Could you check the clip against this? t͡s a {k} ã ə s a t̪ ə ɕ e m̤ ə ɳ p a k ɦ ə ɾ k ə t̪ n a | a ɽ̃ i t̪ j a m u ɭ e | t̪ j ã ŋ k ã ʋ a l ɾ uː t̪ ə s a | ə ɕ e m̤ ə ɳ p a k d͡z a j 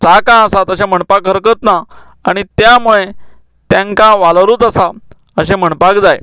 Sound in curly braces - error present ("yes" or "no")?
no